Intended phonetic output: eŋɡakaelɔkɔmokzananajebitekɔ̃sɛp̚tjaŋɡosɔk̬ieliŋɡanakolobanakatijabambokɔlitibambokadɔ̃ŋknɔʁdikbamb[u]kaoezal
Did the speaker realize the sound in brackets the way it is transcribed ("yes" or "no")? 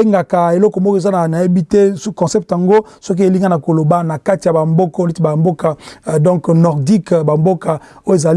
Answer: no